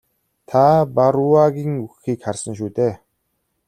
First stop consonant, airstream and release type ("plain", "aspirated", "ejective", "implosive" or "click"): aspirated